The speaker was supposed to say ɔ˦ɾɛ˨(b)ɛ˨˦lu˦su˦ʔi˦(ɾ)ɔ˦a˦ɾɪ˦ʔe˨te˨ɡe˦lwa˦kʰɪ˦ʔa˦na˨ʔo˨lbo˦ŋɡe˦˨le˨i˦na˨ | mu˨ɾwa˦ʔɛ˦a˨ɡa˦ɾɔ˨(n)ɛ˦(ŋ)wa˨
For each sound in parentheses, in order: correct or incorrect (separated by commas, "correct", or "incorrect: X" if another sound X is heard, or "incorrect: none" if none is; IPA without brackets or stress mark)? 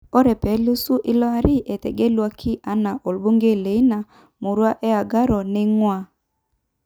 incorrect: p, incorrect: l, correct, correct